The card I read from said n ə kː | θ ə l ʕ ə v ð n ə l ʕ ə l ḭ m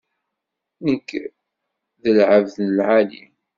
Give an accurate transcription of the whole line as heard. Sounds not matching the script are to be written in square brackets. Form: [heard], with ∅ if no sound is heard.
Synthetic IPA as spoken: n ə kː | [ð] ə l ʕ ə v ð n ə l ʕ [a] l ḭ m